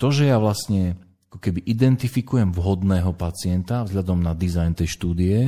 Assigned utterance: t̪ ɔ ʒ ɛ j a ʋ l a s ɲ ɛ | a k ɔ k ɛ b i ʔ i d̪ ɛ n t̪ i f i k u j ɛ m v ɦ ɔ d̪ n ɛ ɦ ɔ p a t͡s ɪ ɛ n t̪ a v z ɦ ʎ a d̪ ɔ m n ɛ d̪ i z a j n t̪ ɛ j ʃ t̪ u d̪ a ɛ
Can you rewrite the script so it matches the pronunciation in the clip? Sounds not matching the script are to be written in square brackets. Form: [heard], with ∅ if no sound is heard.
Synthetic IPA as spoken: t̪ ɔ ʒ ɛ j a ʋ l a s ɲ ɛ | a k ɔ k ɛ b i ʔ i d̪ ɛ n t̪ i f i k u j ɛ m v ɦ ɔ d̪ n [ɛː] ɦ ɔ p a t͡s ɪ ɛ n t̪ a v z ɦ ʎ a d̪ ɔ m n [a] d̪ i z a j n t̪ ɛ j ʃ t̪ [uː] d̪ [i] ɛ